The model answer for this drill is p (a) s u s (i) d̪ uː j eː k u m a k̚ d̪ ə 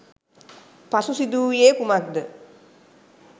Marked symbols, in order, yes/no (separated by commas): yes, yes